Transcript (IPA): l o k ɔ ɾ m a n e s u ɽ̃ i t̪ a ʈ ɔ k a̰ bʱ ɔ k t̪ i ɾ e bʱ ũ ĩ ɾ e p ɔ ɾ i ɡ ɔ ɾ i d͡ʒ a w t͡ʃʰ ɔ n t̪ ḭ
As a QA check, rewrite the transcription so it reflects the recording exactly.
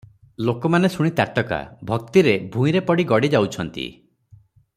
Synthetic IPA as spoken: l o k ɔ m a n e s u ɽ̃ i t̪ a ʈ ɔ k a̰ bʱ ɔ k t̪ i ɾ e bʱ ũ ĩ ɾ e p ɔ ɽ i ɡ ɔ ɽ i d͡ʒ a w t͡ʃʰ ɔ n t̪ ḭ